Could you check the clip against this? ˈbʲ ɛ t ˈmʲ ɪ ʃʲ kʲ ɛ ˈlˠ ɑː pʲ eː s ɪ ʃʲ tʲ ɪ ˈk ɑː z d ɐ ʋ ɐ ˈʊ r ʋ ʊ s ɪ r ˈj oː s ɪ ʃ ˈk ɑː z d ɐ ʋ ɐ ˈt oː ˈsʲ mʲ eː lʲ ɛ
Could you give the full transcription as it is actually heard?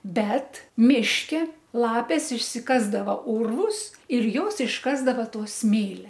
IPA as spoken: ˈbʲ ɛ t ˈmʲ ɪ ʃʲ kʲ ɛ ˈlˠ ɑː pʲ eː s ɪ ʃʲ sʲ ɪ ˈk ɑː z d ɐ ʋ ɐ ˈʊ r ʋ ʊ s ɪ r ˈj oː s ɪ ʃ ˈk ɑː z d ɐ ʋ ɐ ˈt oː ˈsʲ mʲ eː lʲ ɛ